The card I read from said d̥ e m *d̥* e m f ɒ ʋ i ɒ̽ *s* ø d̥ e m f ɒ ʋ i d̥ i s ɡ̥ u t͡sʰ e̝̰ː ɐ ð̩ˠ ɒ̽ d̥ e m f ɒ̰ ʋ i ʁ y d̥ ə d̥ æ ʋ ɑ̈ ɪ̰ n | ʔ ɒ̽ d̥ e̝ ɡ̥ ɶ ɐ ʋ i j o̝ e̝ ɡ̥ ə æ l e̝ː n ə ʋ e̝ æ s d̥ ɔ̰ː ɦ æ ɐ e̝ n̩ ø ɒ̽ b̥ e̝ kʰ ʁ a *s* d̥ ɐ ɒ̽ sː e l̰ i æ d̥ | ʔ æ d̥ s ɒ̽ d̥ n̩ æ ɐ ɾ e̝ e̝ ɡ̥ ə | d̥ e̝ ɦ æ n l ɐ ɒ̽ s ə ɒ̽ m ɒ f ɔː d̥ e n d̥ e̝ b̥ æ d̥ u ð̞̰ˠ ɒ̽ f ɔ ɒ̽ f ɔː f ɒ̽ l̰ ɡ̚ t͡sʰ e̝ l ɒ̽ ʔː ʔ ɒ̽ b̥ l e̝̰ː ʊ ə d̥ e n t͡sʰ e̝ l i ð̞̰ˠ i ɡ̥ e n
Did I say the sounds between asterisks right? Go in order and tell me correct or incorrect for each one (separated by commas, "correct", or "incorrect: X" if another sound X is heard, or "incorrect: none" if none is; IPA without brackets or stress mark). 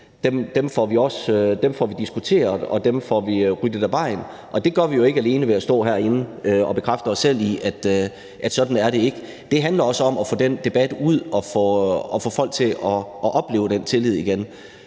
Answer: correct, correct, incorrect: f